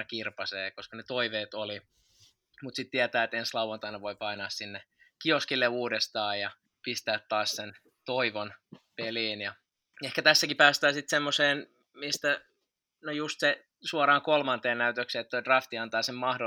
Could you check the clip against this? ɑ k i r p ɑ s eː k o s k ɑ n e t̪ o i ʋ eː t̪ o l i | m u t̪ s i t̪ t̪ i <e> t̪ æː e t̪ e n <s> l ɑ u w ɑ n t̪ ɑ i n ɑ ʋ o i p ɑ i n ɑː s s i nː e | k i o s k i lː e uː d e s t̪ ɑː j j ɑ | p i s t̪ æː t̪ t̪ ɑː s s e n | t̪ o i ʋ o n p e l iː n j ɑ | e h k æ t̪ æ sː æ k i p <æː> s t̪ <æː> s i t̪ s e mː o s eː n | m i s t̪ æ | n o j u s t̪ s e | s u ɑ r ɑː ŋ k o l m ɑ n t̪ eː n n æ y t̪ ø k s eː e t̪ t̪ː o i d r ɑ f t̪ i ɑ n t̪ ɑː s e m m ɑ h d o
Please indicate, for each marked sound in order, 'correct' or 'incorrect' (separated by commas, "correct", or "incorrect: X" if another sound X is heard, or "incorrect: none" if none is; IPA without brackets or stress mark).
incorrect: æ, correct, correct, correct